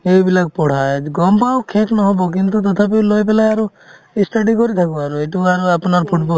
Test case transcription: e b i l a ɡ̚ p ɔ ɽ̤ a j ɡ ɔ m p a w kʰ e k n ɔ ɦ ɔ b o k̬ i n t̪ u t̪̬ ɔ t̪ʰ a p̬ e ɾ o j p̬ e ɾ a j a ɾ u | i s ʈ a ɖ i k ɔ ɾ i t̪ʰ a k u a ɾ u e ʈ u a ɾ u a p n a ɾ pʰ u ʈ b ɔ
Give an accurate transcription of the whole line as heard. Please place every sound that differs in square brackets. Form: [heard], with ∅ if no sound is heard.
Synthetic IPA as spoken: e b i l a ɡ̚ p ɔ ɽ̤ a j ɡ ɔ m p a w kʰ e k n ɔ ɦ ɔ b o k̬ i n t̪ u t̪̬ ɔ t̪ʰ a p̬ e [l] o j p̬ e [l] a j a ɾ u | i s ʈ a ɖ i k ɔ ɾ i t̪ʰ a k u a ɾ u e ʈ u a ɾ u a p n a ɾ pʰ u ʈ b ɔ